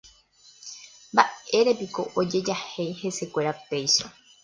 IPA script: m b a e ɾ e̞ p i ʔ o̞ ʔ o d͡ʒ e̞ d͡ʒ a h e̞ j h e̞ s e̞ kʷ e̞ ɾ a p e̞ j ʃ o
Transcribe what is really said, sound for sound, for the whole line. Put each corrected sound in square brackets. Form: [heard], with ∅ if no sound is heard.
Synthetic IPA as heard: m b a e ɾ e̞ p i [k] o̞ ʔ o d͡ʒ e̞ d͡ʒ a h e̞ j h e̞ s e̞ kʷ e̞ ɾ a p e̞ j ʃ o